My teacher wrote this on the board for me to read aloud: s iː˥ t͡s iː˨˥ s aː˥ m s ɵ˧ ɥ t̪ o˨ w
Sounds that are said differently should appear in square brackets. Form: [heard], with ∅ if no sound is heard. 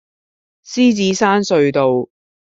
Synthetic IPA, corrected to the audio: s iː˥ t͡s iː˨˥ s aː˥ [n] s ɵ˧ ɥ t̪ o˨ w